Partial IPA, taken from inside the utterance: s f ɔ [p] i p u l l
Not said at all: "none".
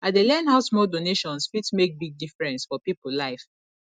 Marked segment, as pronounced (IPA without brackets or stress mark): p